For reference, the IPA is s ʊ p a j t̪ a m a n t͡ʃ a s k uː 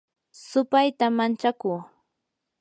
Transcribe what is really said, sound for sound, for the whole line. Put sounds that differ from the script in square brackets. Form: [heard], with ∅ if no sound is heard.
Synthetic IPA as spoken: s ʊ p a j t̪ a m a n t͡ʃ a [∅] k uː